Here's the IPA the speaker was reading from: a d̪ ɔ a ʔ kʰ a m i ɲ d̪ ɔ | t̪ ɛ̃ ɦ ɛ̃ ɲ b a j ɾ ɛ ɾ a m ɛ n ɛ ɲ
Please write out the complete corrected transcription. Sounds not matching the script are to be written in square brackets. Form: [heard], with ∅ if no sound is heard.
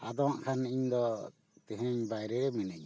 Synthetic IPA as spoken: a d̪ ɔ a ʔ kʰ a [n] i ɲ d̪ ɔ | t̪ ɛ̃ ɦ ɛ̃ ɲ b a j ɾ ɛ ɾ [ɛ] m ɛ n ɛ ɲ